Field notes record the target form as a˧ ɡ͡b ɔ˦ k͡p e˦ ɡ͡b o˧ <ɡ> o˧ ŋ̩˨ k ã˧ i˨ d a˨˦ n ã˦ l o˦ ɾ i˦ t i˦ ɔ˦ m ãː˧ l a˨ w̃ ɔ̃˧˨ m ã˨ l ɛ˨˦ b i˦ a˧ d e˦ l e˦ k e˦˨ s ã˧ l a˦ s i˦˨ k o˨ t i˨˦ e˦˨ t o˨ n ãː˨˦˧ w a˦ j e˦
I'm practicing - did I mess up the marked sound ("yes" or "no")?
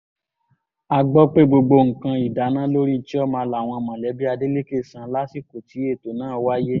yes